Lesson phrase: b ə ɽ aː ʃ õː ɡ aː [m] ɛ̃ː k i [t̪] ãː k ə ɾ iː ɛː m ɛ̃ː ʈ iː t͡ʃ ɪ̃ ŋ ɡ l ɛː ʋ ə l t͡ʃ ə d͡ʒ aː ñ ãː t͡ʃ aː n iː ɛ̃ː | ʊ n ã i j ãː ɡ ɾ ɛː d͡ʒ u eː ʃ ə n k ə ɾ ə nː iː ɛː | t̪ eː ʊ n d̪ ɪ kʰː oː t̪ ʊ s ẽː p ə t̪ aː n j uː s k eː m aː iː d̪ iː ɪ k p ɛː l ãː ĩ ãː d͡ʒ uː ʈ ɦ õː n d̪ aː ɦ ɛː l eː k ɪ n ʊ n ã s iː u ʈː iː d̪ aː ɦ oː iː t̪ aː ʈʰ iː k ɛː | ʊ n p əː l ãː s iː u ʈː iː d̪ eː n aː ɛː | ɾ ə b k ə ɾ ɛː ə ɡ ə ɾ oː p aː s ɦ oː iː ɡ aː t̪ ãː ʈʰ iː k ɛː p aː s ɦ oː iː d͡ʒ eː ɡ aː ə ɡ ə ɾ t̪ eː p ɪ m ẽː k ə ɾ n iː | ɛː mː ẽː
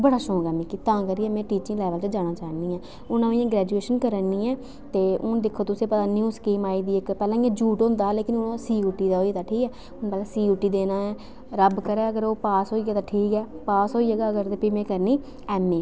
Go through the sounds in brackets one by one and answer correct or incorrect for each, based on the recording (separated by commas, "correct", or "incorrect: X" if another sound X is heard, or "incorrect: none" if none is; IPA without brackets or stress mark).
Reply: correct, correct